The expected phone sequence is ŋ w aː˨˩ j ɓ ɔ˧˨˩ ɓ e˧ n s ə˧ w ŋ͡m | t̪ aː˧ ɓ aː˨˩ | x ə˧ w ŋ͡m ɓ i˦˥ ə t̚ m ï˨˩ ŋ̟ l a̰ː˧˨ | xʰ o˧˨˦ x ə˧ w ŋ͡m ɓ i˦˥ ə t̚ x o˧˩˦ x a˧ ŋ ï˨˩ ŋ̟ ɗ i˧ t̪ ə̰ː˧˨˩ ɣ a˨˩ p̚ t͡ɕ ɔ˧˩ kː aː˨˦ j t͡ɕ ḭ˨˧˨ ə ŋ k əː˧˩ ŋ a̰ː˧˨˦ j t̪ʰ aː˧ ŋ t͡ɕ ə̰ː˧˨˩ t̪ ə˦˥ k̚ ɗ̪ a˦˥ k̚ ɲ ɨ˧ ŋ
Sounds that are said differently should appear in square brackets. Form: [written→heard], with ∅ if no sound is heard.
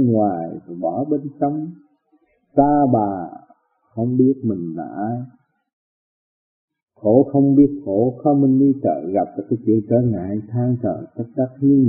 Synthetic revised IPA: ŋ w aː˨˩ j ɓ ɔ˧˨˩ ɓ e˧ n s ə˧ w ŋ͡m | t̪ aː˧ ɓ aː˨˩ | x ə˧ w ŋ͡m ɓ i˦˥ ə t̚ m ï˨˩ ŋ̟ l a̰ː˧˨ | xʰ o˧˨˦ x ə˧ w ŋ͡m ɓ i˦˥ ə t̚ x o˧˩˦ x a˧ [ŋ→m] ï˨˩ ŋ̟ ɗ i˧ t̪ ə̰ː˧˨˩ ɣ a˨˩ p̚ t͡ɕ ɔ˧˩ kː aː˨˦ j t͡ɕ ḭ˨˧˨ ə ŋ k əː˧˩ ŋ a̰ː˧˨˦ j t̪ʰ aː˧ ŋ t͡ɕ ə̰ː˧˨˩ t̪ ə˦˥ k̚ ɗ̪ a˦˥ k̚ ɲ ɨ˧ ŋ